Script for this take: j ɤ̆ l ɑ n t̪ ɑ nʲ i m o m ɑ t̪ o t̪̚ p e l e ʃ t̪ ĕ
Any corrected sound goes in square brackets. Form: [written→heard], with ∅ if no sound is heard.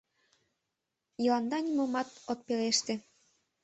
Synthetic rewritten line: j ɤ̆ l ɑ n [t̪→d̪] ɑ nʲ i m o m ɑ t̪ o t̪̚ p e l e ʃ t̪ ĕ